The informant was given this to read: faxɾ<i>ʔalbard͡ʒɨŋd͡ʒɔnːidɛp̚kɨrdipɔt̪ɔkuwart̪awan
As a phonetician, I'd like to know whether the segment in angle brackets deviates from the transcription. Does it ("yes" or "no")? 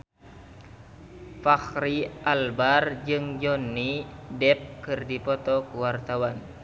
no